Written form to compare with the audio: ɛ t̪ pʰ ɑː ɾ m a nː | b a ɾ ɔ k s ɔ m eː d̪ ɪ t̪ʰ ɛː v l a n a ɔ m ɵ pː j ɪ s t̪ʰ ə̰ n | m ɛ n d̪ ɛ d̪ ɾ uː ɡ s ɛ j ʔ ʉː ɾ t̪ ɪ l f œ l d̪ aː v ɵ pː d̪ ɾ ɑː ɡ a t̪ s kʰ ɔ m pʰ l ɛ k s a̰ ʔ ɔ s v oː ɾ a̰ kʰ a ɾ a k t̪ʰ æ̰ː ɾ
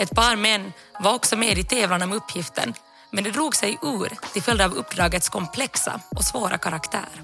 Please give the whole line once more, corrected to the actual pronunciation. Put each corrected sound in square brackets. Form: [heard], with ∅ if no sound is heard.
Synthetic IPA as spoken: ɛ t̪ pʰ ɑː ɾ m [ɛ] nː | [v] a ɾ ɔ k s ɔ m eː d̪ ɪ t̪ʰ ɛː v l a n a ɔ m ɵ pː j ɪ [f] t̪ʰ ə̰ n | m ɛ n d̪ ɛ d̪ ɾ uː ɡ s ɛ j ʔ ʉː ɾ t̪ ɪ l f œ l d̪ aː v ɵ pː d̪ ɾ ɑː ɡ [ə] t̪ s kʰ ɔ m pʰ l ɛ k s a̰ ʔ ɔ s v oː ɾ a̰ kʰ a ɾ a k t̪ʰ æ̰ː ɾ